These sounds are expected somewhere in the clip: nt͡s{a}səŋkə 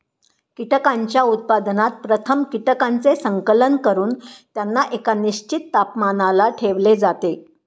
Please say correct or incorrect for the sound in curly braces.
incorrect